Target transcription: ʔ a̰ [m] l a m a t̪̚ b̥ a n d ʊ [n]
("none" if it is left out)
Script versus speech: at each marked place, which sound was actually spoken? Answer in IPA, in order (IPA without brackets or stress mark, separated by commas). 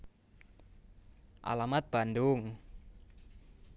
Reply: none, ŋ